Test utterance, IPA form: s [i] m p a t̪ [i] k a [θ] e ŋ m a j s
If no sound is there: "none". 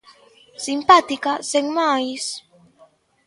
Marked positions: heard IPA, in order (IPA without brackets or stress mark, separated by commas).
i, i, s